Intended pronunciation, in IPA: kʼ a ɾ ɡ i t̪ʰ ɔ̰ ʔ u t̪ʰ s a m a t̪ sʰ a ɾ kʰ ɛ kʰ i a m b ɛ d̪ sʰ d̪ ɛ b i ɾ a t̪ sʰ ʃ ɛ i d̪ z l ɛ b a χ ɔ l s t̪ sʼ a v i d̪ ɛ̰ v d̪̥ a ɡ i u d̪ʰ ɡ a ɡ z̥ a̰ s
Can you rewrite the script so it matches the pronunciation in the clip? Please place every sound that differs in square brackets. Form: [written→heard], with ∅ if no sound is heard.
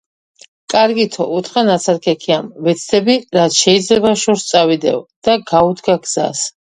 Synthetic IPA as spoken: kʼ a ɾ ɡ i t̪ʰ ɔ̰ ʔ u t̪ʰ [s→χ] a [m→n] a t̪ sʰ a ɾ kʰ ɛ kʰ i a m [b→v] ɛ [d̪→t̪] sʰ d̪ ɛ b i ɾ a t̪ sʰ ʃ ɛ i d̪ z l ɛ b a [χ→ʃ] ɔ [l→ɾ] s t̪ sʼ a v i d̪ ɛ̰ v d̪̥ a ɡ [i→a] u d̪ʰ ɡ a ɡ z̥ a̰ s

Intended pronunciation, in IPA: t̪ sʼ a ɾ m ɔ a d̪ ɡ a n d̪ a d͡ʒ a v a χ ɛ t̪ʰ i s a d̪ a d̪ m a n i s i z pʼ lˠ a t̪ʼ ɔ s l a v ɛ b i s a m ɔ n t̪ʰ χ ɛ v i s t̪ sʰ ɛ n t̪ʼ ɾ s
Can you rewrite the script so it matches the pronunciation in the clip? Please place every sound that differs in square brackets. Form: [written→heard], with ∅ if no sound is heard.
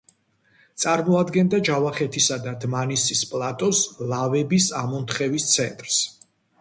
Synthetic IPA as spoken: t̪ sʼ a ɾ m ɔ a d̪ ɡ [a→ɛ] n d̪ a d͡ʒ a v a χ ɛ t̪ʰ i s a d̪ a d̪ m a n i s i [z→s] pʼ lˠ a t̪ʼ ɔ s l a v ɛ b i s a m ɔ n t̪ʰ χ ɛ v i s t̪ sʰ ɛ n t̪ʼ ɾ s

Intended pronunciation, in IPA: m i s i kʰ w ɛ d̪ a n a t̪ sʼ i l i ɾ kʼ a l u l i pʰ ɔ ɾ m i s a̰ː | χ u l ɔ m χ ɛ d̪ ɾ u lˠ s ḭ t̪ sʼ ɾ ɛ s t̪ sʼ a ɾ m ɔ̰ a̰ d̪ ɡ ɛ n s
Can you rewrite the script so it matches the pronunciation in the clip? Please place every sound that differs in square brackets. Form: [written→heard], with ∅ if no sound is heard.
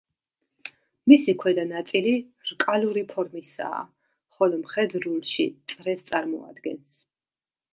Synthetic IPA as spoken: m i s i kʰ w ɛ d̪ a n a t̪ sʼ i l i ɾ kʼ a l u [l→ɾ] i pʰ ɔ ɾ m i s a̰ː | χ [u→ɔ] l ɔ m χ ɛ d̪ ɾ u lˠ [s→ʃ] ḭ t̪ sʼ ɾ ɛ s t̪ sʼ a ɾ m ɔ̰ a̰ d̪ ɡ ɛ n s

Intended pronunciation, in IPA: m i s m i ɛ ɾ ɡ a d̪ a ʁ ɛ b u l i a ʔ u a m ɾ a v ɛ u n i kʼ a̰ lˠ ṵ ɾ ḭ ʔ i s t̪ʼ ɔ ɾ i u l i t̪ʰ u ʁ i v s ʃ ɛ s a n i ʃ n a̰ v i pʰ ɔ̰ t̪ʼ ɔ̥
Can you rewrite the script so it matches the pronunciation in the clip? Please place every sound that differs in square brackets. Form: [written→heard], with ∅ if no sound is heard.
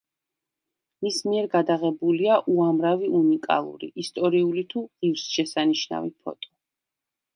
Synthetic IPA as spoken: m i s m i ɛ ɾ ɡ a d̪ a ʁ ɛ b u l i a ʔ u a m ɾ a v [ɛ→i] u n i kʼ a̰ lˠ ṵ ɾ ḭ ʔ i s t̪ʼ ɔ ɾ i u l i t̪ʰ u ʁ i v s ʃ ɛ s a n i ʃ n a̰ v i pʰ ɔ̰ t̪ʼ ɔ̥

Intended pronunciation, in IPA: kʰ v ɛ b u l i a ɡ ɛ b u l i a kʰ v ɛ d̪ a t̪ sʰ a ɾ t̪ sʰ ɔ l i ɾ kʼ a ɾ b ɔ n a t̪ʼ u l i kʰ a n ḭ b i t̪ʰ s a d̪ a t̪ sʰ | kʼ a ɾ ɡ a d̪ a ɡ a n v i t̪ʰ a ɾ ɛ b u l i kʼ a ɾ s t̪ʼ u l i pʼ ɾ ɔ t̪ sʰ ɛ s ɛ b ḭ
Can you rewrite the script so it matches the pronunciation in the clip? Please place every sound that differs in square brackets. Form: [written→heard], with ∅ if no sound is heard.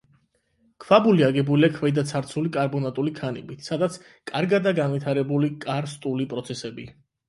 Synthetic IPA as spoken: kʰ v [ɛ→a] b u l i a ɡ ɛ b u l i a kʰ v ɛ d̪ a t̪ sʰ a ɾ t̪ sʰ [ɔ→u] l i [ɾ→∅] kʼ a ɾ b ɔ n a t̪ʼ u l i kʰ a n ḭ b i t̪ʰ s a d̪ a t̪ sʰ | kʼ a ɾ ɡ a d̪ a ɡ a n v i t̪ʰ a ɾ ɛ b u l i kʼ a ɾ s t̪ʼ u l i pʼ ɾ ɔ t̪ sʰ ɛ s ɛ b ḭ

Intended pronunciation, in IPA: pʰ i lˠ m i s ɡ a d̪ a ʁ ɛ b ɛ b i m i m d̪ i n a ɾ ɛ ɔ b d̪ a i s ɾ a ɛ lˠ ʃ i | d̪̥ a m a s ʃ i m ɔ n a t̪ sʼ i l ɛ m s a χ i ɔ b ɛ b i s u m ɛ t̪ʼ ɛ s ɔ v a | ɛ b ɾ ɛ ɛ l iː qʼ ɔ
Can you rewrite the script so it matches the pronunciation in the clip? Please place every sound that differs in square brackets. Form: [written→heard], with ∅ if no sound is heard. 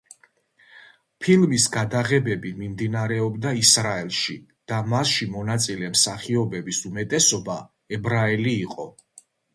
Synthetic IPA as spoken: pʰ i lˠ m i s ɡ a d̪ a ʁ ɛ b ɛ b i m i m d̪ i n a ɾ ɛ ɔ b d̪ a i s ɾ a ɛ lˠ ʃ i | d̪̥ a m a s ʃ i m ɔ n a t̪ sʼ i l ɛ m s a χ i ɔ b ɛ b i s u m ɛ t̪ʼ ɛ s ɔ [v→b] a | ɛ b ɾ [ɛ→a] ɛ l iː qʼ ɔ

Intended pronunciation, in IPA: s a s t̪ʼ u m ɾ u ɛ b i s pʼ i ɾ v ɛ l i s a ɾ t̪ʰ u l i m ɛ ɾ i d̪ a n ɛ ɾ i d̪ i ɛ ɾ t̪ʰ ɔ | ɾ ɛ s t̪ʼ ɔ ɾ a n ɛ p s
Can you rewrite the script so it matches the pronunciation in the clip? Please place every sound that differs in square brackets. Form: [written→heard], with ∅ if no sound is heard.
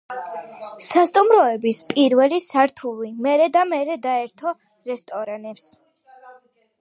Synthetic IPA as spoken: s a s t̪ʼ u m ɾ [u→ɔ] ɛ b i s pʼ i ɾ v ɛ l i s a ɾ t̪ʰ u l i m ɛ ɾ [i→ɛ] d̪ a [n→m] ɛ ɾ [i→ɛ] d̪ [i→a] ɛ ɾ t̪ʰ ɔ | ɾ ɛ s t̪ʼ ɔ ɾ a n ɛ p s

